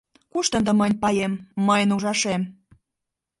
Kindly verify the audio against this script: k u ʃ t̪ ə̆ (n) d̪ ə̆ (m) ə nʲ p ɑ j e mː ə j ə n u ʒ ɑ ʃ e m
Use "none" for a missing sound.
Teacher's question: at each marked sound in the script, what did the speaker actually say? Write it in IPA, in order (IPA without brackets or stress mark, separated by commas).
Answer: n, m